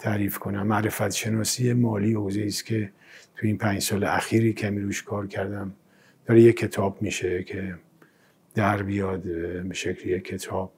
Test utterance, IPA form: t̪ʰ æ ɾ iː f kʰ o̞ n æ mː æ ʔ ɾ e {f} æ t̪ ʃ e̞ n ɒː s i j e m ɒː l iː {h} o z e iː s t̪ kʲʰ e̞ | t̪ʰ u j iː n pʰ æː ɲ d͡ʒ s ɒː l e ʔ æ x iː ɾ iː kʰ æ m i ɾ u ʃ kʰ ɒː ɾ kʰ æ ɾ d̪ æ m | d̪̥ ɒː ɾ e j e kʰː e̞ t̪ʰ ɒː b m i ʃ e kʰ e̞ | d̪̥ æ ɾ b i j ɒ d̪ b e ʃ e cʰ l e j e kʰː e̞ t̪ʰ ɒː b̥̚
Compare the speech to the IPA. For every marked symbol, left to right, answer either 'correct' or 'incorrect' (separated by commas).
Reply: correct, correct